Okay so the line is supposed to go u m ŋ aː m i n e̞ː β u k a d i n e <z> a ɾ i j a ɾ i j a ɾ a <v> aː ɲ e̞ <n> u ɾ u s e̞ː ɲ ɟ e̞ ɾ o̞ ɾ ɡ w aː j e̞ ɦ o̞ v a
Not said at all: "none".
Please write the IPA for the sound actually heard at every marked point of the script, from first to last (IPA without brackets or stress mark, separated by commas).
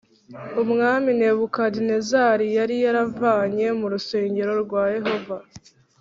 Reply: z, v, m